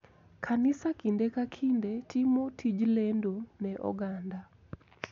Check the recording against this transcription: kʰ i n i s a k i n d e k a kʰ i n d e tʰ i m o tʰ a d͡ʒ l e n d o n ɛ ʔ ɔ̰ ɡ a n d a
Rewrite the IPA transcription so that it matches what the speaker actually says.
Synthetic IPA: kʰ a n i s a k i n d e k a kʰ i n d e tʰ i m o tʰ i d͡ʒ l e n d o n ɛ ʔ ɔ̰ ɡ a n d a